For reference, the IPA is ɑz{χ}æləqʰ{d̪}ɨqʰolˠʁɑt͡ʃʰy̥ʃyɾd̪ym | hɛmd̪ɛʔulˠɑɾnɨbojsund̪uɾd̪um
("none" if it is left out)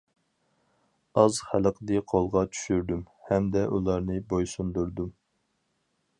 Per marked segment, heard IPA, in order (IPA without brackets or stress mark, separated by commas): χ, d̪